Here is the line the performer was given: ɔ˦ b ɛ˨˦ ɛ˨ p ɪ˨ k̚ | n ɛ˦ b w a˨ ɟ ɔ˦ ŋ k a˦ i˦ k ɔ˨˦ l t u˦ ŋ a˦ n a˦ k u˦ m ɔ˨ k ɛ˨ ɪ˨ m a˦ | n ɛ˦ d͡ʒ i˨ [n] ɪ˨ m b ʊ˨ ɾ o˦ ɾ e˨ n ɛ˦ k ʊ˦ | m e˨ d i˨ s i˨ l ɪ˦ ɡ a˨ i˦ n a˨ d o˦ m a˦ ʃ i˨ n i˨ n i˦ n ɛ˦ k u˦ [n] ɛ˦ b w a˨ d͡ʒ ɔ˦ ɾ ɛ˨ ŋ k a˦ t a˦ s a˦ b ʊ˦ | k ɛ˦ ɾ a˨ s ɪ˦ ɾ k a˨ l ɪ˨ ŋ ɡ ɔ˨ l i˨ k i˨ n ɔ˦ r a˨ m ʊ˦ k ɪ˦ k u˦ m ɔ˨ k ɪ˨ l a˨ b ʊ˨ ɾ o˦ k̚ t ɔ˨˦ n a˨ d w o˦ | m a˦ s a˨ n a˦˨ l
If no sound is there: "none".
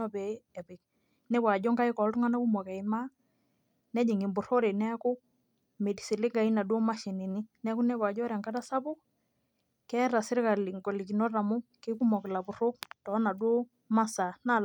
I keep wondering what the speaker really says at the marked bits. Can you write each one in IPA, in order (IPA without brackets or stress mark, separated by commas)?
ŋ, n